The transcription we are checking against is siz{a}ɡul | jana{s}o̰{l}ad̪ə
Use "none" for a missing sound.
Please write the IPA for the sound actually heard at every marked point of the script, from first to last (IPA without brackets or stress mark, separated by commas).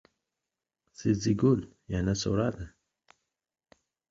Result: i, s, ɾ